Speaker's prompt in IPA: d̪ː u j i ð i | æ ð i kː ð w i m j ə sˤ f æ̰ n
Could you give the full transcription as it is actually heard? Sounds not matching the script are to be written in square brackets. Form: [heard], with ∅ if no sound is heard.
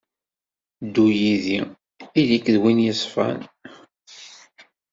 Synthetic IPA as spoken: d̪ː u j i ð i | [i] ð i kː ð w i [n] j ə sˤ f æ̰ n